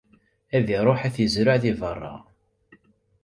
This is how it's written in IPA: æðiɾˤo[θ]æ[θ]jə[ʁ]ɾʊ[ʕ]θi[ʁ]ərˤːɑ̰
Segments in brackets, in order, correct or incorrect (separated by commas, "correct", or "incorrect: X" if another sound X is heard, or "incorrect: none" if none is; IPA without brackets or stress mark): incorrect: ħ, correct, incorrect: z, correct, incorrect: v